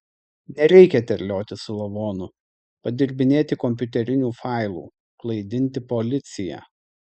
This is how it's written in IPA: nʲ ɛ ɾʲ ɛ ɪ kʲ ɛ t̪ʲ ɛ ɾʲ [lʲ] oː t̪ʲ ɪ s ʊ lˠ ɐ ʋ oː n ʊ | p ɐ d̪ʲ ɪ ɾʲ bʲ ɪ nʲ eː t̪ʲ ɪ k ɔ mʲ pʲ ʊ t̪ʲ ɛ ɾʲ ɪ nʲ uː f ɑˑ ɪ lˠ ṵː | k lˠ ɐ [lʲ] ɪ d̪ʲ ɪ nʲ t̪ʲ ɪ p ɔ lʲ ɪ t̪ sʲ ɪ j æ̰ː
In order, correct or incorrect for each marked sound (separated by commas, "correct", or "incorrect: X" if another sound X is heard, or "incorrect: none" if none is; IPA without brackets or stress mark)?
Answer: correct, incorrect: none